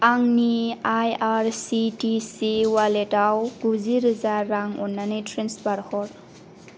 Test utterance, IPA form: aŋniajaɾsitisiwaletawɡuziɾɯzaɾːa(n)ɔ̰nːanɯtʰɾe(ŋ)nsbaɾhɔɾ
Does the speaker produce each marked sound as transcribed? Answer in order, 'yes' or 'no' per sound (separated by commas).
no, no